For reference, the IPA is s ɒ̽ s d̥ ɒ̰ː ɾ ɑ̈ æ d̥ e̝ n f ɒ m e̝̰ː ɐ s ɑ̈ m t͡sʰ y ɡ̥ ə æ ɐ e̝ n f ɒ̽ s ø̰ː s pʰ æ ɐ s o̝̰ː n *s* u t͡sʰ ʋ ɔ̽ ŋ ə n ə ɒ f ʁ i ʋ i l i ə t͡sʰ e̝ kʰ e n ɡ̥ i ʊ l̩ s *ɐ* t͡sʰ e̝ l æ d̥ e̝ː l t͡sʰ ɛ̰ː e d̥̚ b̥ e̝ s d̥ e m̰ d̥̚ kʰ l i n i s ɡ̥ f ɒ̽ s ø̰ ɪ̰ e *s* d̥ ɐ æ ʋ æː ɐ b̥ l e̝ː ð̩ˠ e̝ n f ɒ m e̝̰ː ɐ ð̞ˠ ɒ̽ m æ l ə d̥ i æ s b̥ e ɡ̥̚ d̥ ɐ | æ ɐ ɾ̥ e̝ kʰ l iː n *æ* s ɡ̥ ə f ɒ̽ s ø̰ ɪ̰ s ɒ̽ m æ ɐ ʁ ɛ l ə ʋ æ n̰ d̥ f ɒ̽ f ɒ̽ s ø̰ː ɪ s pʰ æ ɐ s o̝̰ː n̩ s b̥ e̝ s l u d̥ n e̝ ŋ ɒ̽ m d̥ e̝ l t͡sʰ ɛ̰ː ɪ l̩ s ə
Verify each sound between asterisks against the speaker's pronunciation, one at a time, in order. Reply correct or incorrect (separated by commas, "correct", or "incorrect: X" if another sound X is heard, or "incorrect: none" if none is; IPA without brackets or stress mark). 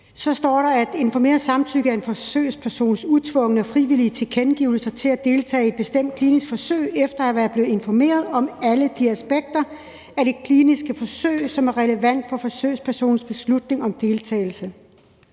correct, correct, incorrect: f, incorrect: i